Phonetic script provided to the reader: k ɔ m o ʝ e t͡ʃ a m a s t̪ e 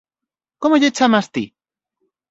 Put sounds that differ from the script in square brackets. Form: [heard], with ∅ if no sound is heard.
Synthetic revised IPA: k [o] m o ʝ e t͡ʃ a m a s t̪ [i]